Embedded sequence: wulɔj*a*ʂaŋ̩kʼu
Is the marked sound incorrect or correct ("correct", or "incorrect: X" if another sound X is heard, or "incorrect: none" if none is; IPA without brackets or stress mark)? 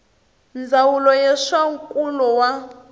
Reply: incorrect: ɛ